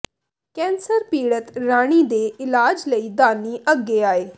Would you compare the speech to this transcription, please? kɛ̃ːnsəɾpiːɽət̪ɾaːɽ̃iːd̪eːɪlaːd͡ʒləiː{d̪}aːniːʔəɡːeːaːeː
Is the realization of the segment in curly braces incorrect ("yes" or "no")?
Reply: no